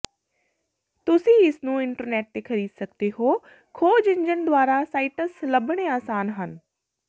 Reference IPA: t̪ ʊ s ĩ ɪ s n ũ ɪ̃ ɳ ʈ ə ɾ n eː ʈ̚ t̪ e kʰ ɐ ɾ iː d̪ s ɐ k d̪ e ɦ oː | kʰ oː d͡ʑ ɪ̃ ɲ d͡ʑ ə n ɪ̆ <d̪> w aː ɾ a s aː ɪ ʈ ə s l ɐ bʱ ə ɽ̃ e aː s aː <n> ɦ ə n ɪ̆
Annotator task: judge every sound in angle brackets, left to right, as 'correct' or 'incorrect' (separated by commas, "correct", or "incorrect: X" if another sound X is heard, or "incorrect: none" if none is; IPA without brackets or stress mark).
correct, correct